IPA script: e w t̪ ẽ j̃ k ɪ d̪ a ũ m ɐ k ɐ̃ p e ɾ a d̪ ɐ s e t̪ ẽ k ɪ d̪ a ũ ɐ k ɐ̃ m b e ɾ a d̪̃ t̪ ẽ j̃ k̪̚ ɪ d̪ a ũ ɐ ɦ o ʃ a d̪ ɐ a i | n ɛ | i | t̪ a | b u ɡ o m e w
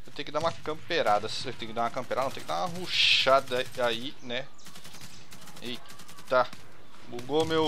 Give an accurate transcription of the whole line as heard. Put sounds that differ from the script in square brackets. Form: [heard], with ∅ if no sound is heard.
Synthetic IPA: e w t̪ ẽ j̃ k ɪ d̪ a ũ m ɐ k ɐ̃ p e ɾ a d̪ ɐ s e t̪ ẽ k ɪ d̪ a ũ ɐ k ɐ̃ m [p] e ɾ a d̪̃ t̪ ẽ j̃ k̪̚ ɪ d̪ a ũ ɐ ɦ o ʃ a d̪ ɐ a i | n ɛ | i | t̪ a | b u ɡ o m e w